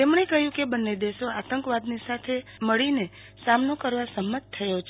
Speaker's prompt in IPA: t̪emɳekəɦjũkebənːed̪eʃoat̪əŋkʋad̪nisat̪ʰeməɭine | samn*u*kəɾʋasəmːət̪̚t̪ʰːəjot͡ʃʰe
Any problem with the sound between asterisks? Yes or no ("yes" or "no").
yes